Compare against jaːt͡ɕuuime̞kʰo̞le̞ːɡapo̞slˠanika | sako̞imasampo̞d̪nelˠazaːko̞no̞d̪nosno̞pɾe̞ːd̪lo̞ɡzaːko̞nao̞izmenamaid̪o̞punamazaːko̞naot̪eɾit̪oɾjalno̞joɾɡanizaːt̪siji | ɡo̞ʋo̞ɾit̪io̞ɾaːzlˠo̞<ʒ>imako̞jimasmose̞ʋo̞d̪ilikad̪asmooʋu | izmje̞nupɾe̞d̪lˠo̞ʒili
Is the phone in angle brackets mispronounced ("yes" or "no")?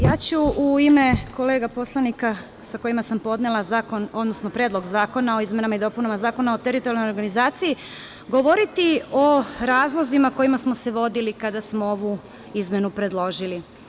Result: yes